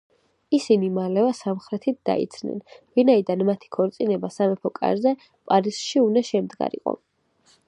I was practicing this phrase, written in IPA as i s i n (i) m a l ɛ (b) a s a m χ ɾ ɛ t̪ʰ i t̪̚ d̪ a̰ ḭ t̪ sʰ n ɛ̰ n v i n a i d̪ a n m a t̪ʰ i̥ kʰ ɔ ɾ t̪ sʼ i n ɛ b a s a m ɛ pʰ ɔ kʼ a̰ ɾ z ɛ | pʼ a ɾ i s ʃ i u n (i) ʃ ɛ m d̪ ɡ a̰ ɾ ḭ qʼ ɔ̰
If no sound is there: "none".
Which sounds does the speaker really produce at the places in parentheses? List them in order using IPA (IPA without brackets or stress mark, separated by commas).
i, v, a